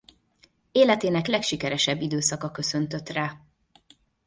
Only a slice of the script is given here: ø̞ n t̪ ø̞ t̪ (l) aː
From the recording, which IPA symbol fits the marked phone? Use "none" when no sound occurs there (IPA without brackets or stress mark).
r